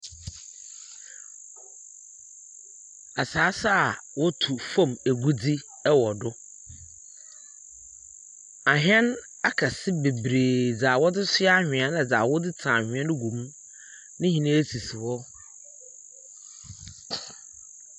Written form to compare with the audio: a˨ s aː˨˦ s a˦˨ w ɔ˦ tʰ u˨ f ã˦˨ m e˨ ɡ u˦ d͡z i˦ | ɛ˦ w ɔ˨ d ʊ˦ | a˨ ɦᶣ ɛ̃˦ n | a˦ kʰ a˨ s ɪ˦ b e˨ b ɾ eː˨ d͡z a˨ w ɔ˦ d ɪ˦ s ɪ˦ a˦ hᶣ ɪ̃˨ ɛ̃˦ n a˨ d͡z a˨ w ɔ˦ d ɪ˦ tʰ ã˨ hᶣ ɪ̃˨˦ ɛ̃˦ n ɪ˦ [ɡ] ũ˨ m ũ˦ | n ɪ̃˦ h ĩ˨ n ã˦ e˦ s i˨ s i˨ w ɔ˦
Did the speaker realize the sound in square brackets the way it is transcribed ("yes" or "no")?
yes